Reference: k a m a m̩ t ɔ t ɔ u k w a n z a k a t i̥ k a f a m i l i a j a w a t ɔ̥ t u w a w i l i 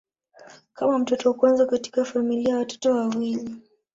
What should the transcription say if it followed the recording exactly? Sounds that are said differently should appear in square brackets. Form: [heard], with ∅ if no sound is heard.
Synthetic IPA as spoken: k a m a m̩ t ɔ t ɔ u k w a n z a k a t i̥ k a f a m i l i a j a w a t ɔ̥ t [ɔ] w a w i l i